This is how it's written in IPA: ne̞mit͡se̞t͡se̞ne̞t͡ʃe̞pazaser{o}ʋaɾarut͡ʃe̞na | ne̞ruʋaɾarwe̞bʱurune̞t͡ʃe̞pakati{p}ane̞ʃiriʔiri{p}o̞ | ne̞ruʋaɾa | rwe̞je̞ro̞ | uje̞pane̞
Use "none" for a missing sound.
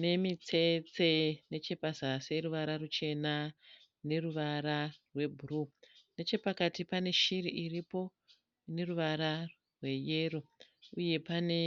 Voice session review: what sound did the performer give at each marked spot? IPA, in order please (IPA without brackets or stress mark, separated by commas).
u, p, p